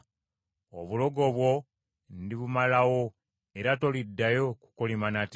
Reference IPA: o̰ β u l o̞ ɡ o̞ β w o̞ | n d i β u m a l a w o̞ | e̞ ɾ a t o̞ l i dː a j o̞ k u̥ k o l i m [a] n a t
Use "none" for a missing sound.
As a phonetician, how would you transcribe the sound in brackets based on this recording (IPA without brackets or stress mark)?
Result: a